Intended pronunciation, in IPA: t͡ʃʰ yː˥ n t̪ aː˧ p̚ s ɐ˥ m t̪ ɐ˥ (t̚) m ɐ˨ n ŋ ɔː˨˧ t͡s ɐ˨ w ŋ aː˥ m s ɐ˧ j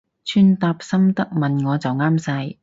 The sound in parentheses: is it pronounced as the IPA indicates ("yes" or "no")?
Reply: no